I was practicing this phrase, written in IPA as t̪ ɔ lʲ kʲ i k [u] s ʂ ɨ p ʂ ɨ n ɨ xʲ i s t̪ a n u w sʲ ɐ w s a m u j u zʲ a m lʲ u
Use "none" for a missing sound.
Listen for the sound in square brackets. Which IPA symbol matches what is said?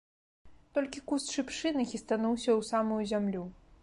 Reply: u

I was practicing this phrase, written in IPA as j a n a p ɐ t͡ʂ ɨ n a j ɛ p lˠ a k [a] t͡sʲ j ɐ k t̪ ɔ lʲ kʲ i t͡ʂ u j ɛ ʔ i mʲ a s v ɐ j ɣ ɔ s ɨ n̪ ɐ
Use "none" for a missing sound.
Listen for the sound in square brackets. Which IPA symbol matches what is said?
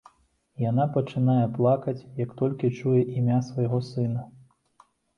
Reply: ɐ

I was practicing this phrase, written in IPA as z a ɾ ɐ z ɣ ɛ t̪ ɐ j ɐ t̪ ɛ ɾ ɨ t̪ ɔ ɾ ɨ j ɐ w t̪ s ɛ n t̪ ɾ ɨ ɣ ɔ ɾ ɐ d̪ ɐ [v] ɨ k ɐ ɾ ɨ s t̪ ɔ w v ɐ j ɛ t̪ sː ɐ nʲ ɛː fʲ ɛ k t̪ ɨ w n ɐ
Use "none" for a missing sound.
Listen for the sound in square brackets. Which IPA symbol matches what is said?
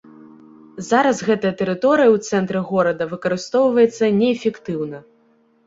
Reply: v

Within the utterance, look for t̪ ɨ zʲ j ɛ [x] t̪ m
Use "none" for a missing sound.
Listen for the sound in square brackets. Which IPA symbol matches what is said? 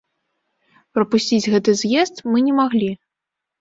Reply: s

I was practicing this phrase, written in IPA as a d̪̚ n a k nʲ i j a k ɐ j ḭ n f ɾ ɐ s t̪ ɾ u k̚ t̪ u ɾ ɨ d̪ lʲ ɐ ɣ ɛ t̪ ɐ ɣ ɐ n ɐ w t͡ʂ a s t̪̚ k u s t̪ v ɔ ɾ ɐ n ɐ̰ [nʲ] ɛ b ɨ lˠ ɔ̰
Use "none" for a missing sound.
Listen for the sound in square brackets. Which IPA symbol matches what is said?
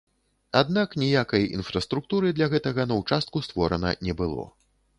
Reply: nʲ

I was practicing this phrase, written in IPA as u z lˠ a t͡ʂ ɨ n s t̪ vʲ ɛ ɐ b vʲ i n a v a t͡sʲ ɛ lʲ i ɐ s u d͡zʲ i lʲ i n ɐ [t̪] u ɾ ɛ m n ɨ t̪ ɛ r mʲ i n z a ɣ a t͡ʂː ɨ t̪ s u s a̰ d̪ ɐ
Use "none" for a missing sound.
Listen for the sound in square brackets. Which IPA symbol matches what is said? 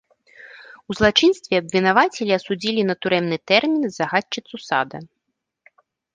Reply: t̪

